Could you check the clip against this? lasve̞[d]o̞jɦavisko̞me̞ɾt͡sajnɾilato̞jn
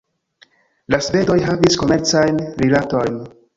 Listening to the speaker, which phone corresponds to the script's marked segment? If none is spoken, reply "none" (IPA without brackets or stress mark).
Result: d